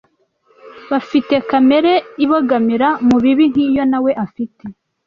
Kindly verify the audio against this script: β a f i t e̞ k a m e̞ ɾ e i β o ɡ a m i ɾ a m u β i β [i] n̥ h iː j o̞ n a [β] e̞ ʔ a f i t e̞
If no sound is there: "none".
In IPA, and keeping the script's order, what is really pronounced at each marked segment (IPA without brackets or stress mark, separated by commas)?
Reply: i, w